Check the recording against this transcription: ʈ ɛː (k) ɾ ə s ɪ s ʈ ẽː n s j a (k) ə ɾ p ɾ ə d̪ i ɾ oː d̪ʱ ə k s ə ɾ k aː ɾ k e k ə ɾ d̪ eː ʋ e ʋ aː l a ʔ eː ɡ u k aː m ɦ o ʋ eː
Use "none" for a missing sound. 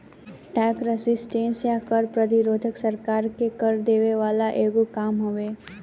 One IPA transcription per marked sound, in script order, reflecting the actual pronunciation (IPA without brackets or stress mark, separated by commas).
k, k